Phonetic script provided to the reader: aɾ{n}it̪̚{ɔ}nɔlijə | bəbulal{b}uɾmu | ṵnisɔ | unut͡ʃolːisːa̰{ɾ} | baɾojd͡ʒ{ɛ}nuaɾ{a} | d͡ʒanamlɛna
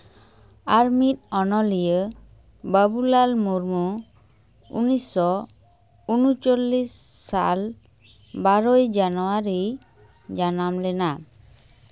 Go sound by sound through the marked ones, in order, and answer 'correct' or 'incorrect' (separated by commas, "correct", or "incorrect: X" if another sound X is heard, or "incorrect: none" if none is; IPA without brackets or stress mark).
incorrect: m, correct, incorrect: m, incorrect: l, incorrect: a, incorrect: i